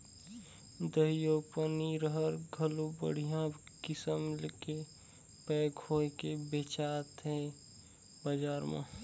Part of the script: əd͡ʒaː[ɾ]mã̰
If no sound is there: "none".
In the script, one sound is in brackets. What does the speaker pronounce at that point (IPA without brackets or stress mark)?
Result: ɾ